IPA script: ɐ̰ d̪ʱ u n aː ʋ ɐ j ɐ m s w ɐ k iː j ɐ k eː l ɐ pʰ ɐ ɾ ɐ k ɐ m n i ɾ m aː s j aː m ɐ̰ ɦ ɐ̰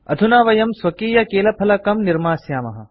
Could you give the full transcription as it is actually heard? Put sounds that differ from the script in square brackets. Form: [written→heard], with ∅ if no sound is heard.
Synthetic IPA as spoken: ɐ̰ d̪ʱ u n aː ʋ ɐ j ɐ m s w ɐ k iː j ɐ k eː l ɐ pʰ ɐ [ɾ→l] ɐ k ɐ m n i ɾ m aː s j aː m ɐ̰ ɦ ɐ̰